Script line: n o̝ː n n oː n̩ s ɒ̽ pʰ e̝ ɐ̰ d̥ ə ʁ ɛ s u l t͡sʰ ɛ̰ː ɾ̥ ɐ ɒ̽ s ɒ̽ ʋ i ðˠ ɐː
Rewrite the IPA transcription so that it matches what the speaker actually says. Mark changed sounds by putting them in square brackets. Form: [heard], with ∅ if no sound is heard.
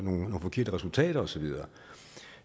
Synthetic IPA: n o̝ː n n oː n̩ [f] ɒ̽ [kʰ] e̝ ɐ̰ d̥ ə ʁ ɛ s u l t͡sʰ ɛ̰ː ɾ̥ ɐ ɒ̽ s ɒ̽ ʋ i ðˠ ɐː